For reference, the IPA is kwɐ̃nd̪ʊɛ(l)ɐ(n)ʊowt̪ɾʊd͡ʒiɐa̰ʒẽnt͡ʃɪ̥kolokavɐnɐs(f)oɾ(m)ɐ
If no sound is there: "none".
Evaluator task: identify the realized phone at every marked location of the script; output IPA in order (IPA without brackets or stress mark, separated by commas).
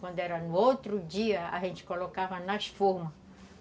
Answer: ɾ, n, f, m